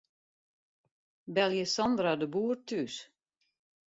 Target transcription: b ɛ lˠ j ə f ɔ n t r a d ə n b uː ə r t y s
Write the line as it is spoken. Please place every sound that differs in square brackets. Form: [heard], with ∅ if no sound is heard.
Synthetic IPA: b ɛ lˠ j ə [s] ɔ n [d] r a d ə [∅] b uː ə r t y s